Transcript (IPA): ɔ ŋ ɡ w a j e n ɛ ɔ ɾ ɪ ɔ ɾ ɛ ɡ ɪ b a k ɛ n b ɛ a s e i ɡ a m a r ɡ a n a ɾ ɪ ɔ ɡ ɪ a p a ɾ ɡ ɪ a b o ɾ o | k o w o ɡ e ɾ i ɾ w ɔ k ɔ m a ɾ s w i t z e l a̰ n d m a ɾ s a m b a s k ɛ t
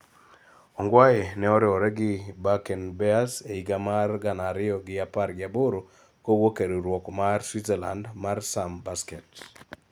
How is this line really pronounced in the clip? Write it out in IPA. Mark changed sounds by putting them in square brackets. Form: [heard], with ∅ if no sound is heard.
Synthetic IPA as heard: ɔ ŋ ɡ w a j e n ɛ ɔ ɾ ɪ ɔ ɾ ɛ ɡ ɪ b a k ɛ n b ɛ a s e i ɡ a m a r ɡ a n a ɾ ɪ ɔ ɡ ɪ a p a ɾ ɡ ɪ a b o ɾ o | k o w o [k] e ɾ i ɾ w ɔ k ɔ m a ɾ s w i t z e l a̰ n d m a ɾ s a m b a s k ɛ t